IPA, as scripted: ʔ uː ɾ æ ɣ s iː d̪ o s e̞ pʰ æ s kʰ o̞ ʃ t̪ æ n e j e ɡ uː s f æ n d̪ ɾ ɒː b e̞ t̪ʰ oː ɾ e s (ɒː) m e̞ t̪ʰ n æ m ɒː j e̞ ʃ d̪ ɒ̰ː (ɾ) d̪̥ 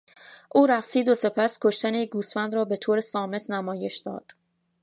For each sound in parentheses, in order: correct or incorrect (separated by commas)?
correct, incorrect